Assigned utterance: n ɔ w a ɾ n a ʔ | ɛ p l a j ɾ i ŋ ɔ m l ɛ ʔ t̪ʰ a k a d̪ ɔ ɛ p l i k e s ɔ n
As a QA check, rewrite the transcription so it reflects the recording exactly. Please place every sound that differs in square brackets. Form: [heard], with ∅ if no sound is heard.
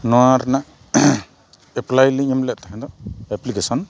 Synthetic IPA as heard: n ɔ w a ɾ n a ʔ | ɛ p l a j [l] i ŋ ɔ m l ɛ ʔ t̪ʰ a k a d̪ ɔ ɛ p l i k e s ɔ n

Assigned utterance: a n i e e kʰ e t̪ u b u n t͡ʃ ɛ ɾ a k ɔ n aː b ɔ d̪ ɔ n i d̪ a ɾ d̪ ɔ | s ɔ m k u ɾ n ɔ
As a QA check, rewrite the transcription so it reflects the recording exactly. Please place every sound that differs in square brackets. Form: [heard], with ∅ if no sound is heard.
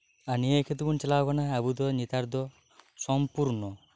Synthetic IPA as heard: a n i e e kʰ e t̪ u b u n t͡ʃ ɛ [l] a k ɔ n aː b [u] d̪ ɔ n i [t̪] a ɾ d̪ ɔ | s ɔ m [p] u ɾ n ɔ

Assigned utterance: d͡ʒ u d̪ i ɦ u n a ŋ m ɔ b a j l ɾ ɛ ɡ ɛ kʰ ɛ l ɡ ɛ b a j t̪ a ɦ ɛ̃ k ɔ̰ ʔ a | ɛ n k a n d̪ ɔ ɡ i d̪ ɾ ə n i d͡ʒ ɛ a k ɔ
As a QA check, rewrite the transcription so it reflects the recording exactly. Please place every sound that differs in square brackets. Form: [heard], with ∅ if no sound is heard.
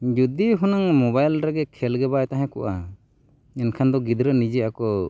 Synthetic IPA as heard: d͡ʒ u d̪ i ɦ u n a ŋ m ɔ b a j l ɾ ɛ ɡ ɛ kʰ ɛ l ɡ ɛ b a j t̪ a ɦ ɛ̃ k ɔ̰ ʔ a | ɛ n [kʰ] a n d̪ ɔ ɡ i d̪ ɾ ə n i d͡ʒ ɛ a k ɔ

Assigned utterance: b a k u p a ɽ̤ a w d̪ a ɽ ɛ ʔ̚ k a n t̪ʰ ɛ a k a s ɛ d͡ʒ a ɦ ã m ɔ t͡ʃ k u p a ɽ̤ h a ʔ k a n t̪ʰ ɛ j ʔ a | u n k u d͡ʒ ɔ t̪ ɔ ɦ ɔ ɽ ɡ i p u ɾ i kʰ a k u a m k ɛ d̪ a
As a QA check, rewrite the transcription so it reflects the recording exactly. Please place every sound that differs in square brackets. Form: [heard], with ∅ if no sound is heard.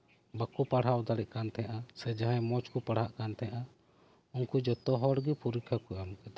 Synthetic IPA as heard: b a k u p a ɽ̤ a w d̪ a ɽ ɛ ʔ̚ k a n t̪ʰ ɛ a [ʔ] a s ɛ d͡ʒ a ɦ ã m ɔ t͡ʃ k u p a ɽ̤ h a ʔ k a n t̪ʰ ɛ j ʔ a | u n k u d͡ʒ ɔ t̪ ɔ ɦ ɔ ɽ ɡ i p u ɾ i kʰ a k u a m k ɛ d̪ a

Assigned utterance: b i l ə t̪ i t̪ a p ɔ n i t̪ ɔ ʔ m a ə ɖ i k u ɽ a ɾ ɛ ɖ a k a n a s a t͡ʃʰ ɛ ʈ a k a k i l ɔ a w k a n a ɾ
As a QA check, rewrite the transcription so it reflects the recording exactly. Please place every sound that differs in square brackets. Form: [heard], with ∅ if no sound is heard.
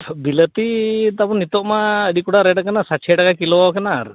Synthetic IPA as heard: b i l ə t̪ i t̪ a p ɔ n i t̪ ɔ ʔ m a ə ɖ i k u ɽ a ɾ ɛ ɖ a k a n a s a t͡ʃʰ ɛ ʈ a k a k i l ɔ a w k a n a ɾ

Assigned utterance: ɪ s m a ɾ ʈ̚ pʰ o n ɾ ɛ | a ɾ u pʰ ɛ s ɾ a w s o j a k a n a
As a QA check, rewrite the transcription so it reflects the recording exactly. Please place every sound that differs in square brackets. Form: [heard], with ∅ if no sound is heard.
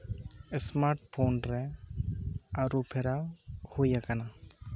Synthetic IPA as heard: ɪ s m a ɾ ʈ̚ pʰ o n ɾ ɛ | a ɾ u pʰ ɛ [∅] ɾ a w [h] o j a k a n a

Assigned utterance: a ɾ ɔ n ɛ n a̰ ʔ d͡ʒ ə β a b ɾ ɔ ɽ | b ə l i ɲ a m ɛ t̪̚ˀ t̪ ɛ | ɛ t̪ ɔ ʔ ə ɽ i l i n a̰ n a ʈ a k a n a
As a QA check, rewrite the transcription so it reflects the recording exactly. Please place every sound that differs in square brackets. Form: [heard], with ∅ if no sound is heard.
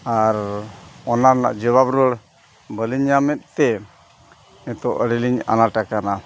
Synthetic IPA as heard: a ɾ ɔ n [a] n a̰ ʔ d͡ʒ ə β a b ɾ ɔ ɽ | b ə l i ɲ a m ɛ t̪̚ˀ t̪ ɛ | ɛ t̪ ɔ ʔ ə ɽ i l i [ɲ] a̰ n a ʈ a k a n a

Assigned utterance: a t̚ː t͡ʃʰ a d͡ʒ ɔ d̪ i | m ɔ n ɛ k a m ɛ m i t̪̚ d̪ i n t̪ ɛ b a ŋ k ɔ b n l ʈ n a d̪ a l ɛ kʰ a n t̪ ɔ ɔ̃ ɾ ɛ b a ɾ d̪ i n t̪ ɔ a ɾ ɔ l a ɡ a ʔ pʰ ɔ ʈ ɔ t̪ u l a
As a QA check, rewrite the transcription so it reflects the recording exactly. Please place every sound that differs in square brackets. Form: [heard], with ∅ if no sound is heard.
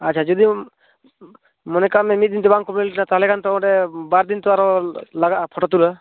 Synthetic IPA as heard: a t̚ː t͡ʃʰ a d͡ʒ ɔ d̪ i | m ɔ n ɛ k a m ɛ m i t̪̚ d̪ i n t̪ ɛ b a ŋ k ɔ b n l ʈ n a [t̪] a l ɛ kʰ a n t̪ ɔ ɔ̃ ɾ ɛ b a ɾ d̪ i n t̪ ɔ a ɾ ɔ l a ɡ a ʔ pʰ ɔ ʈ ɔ t̪ u l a

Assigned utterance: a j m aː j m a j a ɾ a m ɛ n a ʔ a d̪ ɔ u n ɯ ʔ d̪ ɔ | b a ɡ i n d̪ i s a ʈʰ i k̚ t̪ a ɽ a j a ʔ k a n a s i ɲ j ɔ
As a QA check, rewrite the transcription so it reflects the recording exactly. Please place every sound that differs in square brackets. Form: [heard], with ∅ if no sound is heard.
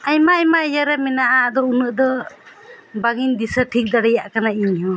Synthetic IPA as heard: a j m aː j m a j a ɾ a m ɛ n a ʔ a d̪ ɔ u n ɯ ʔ d̪ ɔ | b a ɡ i n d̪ i s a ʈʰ i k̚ [d̪] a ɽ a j a ʔ k a n a [∅] i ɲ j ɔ

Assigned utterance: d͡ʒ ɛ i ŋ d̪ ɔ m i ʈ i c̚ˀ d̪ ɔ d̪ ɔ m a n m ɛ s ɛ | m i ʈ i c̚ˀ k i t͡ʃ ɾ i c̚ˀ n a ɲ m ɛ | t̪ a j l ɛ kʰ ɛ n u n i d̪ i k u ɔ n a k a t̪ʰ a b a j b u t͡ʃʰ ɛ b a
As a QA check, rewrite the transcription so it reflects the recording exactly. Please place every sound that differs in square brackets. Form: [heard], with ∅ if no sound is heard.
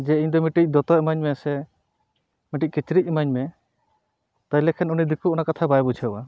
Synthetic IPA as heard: d͡ʒ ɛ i [ɲ] d̪ ɔ m i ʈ i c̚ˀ d̪ ɔ [t̪] ɔ m a [ɲ] m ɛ s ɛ | m i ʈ i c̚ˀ k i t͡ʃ ɾ i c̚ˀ [m] a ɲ m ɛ | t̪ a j l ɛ kʰ ɛ n u n i d̪ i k u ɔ n a k a t̪ʰ a b a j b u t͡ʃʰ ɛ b a

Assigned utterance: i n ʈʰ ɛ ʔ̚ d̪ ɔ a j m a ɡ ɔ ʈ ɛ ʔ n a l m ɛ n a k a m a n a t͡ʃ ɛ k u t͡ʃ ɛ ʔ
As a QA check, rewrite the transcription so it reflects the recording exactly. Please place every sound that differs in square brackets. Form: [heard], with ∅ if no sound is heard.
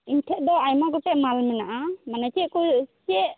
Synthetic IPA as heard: i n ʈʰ ɛ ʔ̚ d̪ ɔ a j m a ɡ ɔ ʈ ɛ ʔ [m] a l m ɛ n a [ʔ] a m a n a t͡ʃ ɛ k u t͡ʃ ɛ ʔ

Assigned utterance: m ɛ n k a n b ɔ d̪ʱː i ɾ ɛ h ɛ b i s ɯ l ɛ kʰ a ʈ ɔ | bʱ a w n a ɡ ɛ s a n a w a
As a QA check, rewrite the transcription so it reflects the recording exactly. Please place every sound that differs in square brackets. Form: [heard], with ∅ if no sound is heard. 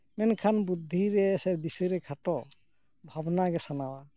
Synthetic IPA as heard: m ɛ n [kʰ] a n b [u] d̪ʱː i ɾ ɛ [s] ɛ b i s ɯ [ɾ] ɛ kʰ a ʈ ɔ | bʱ a [b] n a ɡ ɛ s a n a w a

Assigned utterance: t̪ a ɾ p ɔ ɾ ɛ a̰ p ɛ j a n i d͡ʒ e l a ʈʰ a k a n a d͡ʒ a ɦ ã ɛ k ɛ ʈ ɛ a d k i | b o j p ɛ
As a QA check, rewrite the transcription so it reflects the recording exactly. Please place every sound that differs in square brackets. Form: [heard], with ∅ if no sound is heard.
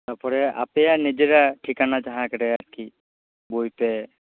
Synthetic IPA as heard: t̪ a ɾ p ɔ ɾ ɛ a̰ p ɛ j a n i d͡ʒ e [ɾ] a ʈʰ [i] k a n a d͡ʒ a ɦ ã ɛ k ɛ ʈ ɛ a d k i | b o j p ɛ

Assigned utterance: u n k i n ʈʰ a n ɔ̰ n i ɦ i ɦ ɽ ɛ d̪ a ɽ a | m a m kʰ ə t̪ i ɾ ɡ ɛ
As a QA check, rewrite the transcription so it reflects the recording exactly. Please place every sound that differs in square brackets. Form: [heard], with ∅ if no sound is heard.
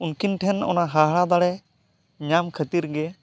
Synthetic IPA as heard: u n k i n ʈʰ [ɛ] n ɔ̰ n [a] ɦ [a] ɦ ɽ [a] d̪ a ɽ [ɛ] | [ɲ] a m kʰ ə t̪ i ɾ ɡ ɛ

